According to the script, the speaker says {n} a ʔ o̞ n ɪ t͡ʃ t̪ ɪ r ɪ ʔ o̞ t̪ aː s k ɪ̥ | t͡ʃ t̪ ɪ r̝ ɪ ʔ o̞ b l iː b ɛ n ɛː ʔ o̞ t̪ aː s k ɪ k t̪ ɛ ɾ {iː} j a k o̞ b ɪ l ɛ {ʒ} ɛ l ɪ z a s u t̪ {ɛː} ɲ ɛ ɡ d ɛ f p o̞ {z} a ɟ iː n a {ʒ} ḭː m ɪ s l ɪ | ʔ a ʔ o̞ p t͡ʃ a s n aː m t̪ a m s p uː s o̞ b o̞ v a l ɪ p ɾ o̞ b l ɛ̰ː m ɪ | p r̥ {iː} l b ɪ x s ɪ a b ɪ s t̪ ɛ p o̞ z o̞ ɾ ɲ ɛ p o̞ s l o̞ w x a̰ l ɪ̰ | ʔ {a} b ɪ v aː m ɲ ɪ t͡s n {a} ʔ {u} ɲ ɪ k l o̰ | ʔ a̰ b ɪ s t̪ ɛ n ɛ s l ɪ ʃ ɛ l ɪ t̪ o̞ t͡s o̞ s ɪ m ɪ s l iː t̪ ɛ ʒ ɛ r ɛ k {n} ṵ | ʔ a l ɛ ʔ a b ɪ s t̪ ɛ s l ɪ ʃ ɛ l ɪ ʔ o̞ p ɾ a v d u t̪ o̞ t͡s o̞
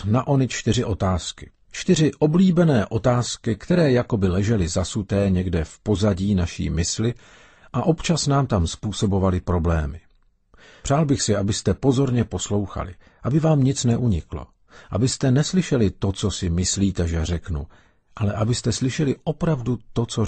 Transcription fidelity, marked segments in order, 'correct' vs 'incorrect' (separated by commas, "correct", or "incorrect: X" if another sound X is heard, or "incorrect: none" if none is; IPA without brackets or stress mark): correct, incorrect: ɛː, correct, correct, correct, incorrect: ʃ, incorrect: aː, correct, incorrect: ɛ, correct, correct